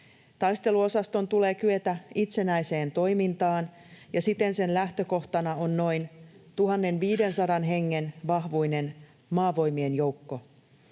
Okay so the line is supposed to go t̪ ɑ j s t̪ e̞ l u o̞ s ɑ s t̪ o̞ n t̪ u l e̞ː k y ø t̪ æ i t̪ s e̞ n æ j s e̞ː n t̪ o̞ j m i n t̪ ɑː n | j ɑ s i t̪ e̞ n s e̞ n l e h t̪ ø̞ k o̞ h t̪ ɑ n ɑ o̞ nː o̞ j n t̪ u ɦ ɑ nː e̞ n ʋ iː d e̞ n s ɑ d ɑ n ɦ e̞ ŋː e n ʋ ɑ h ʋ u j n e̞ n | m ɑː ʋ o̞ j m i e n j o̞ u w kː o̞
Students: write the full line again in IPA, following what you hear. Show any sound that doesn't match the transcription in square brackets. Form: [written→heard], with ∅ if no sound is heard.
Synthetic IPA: t̪ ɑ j s t̪ e̞ l u o̞ s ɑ s t̪ o̞ n t̪ u l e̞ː k y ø t̪ æ i t̪ s e̞ n æ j s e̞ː n t̪ o̞ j m i n t̪ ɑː n | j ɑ s i t̪ e̞ n s e̞ n l [e→æ] h t̪ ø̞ k o̞ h t̪ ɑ n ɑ o̞ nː o̞ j n t̪ u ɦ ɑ nː e̞ n ʋ iː d e̞ n s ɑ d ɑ n ɦ e̞ ŋː e n ʋ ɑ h ʋ u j n e̞ n | m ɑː ʋ o̞ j m i e n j o̞ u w kː o̞